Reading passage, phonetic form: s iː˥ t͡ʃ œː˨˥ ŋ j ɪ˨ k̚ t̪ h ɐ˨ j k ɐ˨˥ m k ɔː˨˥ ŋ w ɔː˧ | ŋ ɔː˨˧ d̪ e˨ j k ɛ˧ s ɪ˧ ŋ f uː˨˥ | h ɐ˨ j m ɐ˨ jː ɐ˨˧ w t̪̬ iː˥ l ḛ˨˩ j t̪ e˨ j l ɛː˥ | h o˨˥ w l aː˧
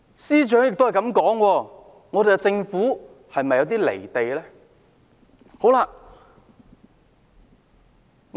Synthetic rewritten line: s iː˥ t͡ʃ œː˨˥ ŋ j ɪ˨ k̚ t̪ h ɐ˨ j k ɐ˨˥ m k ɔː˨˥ ŋ w ɔː˧ | ŋ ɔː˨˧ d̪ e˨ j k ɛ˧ t͡s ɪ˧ ŋ f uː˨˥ | h ɐ˨ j m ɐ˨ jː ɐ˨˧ w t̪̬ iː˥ l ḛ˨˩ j t̪ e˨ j l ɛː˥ | h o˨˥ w l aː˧